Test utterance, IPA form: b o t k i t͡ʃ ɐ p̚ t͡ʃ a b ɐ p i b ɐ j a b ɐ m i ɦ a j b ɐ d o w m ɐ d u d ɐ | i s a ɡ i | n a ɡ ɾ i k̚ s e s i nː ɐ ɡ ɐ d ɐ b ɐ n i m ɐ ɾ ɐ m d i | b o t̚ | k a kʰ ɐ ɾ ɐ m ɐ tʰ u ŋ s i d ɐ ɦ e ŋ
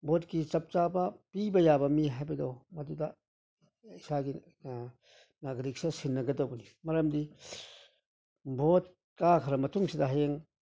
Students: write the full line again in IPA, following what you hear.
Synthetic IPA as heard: b o t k i t͡ʃ ɐ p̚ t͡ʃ a b ɐ p i b ɐ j a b ɐ m i ɦ a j b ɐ d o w m ɐ d u d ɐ | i s a ɡ i | n a ɡ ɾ i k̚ s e s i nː ɐ ɡ ɐ d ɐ b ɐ n i m ɐ ɾ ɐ m d i | b o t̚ | k a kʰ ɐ ɾ ɐ m ɐ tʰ u ŋ s i d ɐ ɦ e ŋ